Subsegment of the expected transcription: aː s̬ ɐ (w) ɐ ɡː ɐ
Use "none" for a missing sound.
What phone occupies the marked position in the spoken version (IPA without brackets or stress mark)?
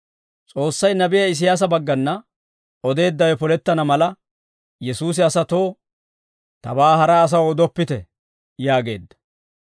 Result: b